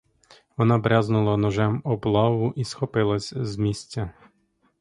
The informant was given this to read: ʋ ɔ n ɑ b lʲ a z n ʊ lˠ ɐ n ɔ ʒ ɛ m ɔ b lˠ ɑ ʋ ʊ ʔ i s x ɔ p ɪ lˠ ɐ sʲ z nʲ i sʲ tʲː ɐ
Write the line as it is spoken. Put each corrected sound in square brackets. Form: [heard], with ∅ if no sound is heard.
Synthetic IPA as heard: ʋ ɔ n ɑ b [ɾʲ] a z n ʊ lˠ ɐ n ɔ ʒ ɛ m ɔ b lˠ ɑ ʋ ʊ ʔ i s x ɔ p ɪ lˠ ɐ sʲ z [mʲ] i sʲ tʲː ɐ